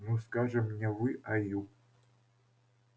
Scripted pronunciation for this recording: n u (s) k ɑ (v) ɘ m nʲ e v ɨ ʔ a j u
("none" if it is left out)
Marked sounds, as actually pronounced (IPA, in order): s, ʐ

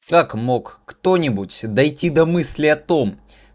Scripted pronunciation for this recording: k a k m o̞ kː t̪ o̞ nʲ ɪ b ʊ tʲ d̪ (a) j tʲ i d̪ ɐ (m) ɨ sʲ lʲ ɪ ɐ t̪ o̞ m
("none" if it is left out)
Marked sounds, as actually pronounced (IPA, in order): ɐ, m

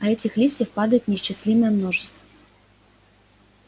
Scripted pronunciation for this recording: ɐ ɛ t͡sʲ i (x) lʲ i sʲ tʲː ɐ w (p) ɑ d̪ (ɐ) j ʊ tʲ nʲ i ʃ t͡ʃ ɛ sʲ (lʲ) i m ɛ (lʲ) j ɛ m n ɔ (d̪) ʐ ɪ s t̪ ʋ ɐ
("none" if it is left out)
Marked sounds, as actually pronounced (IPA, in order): x, p, ɐ, lʲ, none, none

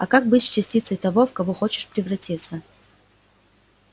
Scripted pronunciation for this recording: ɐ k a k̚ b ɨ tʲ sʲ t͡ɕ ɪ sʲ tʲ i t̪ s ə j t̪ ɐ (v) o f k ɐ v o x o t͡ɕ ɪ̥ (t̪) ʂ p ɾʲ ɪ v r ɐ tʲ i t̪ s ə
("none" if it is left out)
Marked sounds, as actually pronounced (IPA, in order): v, none

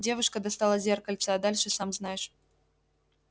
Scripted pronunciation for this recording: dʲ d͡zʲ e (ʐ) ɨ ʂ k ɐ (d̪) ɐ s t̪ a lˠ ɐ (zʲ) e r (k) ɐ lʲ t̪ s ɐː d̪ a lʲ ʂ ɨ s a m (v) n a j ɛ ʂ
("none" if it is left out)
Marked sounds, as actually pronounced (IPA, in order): v, d̪, zʲ, k, z

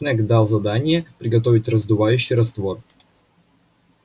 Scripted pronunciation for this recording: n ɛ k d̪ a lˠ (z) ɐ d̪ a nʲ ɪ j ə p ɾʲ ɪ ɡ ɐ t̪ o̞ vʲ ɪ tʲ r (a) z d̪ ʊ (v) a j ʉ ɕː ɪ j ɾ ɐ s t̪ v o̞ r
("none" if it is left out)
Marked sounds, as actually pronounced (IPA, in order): z, ə, v

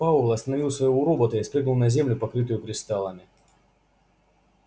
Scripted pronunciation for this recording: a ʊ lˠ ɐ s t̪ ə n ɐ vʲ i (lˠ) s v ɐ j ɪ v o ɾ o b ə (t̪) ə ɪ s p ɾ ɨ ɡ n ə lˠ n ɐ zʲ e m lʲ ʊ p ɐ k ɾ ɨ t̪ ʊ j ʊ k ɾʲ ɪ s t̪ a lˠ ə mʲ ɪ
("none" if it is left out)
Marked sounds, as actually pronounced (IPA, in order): lˠ, t̪

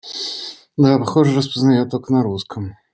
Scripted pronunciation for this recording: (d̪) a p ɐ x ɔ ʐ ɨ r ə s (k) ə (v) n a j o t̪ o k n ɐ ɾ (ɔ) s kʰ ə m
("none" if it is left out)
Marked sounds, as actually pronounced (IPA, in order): d̪, p, z, u

